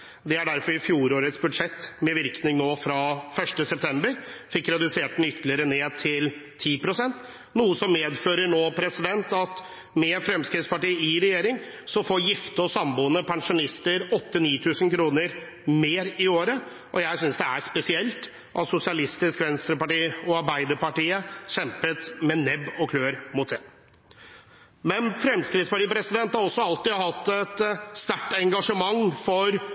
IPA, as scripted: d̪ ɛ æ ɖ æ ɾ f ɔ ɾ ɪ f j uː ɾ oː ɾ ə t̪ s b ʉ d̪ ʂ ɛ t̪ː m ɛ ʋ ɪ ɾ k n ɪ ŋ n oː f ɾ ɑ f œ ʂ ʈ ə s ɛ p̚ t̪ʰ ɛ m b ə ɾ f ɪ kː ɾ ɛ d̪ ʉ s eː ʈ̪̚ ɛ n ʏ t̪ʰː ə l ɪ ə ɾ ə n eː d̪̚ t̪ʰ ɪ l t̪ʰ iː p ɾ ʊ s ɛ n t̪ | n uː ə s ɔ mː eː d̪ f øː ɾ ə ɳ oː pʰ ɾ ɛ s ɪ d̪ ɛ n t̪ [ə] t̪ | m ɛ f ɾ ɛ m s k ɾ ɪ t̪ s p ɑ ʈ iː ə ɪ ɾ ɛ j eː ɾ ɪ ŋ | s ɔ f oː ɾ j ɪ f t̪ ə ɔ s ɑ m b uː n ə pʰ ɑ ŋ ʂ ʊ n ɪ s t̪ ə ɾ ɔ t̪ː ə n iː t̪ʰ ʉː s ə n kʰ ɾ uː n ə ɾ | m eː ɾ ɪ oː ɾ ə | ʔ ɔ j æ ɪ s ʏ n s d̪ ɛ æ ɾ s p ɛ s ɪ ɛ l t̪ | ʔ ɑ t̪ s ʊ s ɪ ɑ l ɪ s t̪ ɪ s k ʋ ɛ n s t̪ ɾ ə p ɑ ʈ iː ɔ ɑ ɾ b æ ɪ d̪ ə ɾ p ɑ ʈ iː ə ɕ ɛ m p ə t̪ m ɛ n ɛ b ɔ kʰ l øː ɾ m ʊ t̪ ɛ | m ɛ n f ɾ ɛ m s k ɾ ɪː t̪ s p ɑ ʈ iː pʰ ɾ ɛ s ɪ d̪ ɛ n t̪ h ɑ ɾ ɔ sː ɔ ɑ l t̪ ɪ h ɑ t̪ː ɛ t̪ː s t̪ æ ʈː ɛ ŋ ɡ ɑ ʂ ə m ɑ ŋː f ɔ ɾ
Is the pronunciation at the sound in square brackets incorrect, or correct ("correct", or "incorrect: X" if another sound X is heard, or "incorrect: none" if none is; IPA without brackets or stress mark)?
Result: incorrect: ɑ